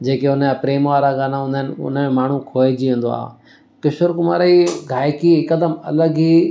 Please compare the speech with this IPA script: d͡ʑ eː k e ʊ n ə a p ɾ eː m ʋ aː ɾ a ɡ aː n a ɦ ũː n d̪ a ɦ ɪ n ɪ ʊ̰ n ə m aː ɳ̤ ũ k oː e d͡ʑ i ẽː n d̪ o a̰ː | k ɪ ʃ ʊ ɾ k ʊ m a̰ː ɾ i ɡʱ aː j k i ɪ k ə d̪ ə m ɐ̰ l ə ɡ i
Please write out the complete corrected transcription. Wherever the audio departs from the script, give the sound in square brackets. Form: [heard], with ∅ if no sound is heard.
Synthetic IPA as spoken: d͡ʑ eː k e ʊ n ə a p ɾ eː m ʋ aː ɾ a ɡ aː n a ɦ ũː n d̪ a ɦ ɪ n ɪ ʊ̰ n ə m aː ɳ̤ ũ [kʰ] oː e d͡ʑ i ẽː n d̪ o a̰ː | k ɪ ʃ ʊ ɾ k ʊ m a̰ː ɾ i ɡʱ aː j k i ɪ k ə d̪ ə m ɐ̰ l ə ɡ i